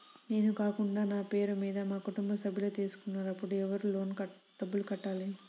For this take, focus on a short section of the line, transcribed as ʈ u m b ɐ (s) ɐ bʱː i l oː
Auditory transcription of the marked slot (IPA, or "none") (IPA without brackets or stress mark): s